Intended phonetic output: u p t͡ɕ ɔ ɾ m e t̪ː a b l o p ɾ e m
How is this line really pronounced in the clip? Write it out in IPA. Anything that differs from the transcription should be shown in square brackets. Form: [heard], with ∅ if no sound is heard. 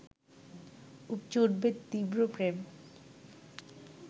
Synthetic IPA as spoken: u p t͡ɕ [o] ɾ [b] e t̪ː [i] b [ɾ] o p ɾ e m